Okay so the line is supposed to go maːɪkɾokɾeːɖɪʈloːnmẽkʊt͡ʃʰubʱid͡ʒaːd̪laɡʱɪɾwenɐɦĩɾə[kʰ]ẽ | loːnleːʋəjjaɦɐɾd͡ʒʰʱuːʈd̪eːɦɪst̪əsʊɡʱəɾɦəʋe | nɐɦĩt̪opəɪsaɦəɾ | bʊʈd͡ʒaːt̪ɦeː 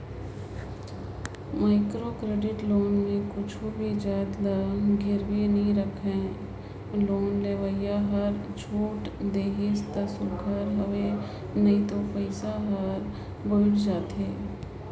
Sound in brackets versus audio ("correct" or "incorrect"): correct